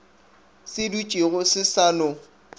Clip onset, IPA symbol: s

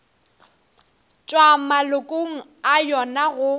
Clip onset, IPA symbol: t͡ʃʼ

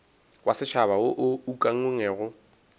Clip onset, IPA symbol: w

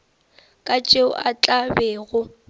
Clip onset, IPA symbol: kʼ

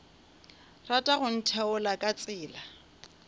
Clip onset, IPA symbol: r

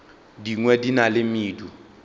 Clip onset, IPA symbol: d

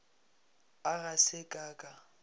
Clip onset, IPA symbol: a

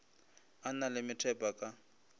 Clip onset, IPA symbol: a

